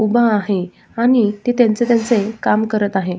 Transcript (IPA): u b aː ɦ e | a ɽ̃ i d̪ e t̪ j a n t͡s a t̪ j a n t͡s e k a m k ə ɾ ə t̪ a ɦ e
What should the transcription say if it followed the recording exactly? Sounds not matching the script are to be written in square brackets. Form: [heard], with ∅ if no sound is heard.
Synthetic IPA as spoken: u b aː ɦ e | a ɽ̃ i [t̪] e t̪ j a n t͡s [e] t̪ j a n t͡s e k a m k ə ɾ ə t̪ a ɦ e